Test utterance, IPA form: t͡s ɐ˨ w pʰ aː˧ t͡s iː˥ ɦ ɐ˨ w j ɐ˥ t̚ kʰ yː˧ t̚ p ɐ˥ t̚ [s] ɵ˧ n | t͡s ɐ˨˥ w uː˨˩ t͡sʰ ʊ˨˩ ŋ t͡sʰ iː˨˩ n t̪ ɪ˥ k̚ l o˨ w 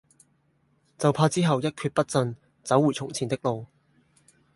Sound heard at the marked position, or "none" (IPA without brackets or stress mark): t͡s